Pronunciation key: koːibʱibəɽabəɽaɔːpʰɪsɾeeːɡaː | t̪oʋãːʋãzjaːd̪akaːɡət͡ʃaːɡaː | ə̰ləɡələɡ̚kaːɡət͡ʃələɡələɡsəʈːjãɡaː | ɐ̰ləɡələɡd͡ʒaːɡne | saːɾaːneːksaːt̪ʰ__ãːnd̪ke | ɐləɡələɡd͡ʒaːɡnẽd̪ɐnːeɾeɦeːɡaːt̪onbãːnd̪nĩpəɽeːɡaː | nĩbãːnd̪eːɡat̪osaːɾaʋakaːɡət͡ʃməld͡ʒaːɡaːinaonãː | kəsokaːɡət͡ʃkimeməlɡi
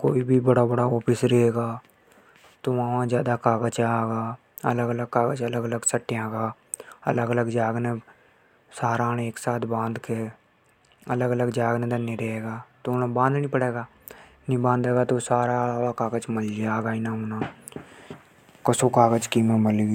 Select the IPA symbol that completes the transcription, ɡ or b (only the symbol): b